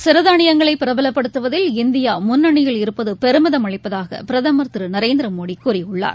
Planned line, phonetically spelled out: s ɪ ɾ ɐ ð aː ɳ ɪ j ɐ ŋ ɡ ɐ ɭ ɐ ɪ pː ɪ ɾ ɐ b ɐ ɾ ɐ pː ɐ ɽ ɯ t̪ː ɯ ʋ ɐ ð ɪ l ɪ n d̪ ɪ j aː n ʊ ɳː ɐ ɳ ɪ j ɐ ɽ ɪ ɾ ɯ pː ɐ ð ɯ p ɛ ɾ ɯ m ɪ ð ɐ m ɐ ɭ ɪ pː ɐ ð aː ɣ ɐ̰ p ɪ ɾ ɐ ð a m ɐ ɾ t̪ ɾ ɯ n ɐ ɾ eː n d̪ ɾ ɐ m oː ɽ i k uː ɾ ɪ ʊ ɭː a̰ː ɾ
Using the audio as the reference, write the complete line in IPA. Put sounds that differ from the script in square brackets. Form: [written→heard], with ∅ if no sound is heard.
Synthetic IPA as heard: s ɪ ɾ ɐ ð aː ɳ ɪ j ɐ ŋ ɡ ɐ ɭ ɐ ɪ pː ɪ ɾ ɐ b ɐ [ɾ→l] ɐ pː ɐ ɽ ɯ t̪ː ɯ ʋ ɐ ð ɪ l ɪ n d̪ ɪ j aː [n→m] ʊ [ɳː→nː] ɐ ɳ ɪ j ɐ [ɽ→ɭ] ɪ ɾ ɯ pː ɐ ð ɯ p ɛ ɾ ɯ m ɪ ð ɐ m ɐ ɭ ɪ pː ɐ ð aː ɣ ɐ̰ p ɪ ɾ ɐ ð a m ɐ ɾ t̪ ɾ ɯ n ɐ ɾ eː n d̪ ɾ ɐ m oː ɽ i k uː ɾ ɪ ʊ ɭː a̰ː ɾ